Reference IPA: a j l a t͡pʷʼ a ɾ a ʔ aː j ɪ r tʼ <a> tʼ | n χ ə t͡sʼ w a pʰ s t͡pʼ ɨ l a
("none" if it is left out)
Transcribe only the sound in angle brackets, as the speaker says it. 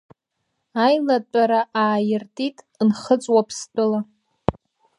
i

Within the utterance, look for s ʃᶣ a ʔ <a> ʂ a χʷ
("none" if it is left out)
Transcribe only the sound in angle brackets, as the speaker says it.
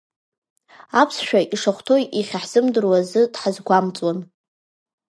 i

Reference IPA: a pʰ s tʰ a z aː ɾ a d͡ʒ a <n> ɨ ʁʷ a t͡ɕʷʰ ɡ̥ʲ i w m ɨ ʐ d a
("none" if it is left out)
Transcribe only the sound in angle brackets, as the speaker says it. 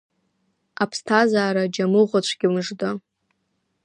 m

